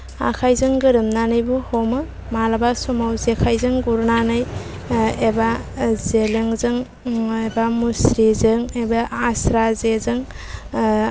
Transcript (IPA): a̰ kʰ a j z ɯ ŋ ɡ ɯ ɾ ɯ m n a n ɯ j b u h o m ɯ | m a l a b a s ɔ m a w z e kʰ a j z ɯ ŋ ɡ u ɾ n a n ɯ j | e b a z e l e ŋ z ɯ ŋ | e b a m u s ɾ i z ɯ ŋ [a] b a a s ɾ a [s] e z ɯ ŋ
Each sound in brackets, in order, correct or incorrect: incorrect: e, incorrect: z

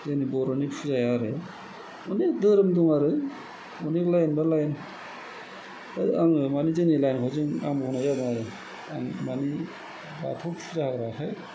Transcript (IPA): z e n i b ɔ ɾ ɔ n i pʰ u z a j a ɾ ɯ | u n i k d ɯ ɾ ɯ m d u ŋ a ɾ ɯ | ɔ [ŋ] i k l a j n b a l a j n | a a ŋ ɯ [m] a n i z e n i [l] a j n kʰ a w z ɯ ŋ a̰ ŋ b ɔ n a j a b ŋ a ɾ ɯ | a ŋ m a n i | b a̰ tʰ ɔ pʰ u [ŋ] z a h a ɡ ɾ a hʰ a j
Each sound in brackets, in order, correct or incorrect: incorrect: n, correct, correct, incorrect: none

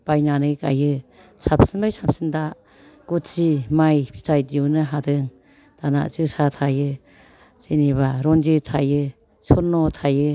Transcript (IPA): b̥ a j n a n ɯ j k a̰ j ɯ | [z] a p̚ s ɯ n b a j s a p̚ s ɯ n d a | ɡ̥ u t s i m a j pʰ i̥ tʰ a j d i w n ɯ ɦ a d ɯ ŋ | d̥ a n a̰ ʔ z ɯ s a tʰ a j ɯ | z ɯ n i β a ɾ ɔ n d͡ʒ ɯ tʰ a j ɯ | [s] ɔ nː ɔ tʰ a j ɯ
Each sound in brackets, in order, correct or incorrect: incorrect: s, correct

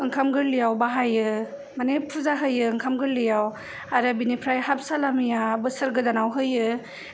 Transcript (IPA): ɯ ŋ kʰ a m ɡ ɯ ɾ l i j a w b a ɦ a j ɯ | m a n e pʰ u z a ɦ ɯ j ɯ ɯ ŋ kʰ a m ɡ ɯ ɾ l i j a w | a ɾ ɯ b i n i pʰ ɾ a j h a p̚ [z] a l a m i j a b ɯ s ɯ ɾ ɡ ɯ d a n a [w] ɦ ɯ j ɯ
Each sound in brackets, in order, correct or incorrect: incorrect: s, correct

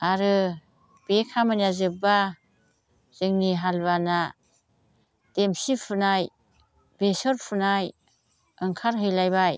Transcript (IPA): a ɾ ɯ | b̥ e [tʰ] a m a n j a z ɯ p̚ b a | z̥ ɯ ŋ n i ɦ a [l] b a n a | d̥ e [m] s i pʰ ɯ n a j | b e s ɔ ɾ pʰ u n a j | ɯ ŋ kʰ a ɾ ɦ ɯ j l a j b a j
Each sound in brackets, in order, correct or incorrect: incorrect: kʰ, correct, correct

